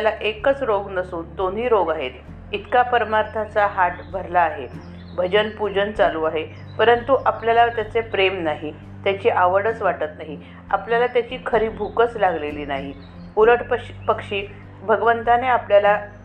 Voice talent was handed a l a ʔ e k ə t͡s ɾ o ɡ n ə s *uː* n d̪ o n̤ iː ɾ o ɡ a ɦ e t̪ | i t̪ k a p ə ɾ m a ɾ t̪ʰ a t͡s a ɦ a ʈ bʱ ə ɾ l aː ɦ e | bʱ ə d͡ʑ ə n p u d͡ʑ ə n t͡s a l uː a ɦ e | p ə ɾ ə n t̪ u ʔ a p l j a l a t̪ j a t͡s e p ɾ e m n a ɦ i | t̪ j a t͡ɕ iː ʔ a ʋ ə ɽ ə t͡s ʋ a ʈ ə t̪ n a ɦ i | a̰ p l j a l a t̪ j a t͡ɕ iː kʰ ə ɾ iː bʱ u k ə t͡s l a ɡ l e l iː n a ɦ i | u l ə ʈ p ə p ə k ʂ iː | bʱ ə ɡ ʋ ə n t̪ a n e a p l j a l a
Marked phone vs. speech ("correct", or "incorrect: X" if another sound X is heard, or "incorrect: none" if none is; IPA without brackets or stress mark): correct